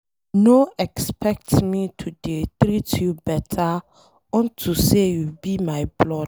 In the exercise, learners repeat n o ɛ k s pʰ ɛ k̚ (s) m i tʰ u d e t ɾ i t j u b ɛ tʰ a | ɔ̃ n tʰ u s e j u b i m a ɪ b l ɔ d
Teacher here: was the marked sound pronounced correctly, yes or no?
no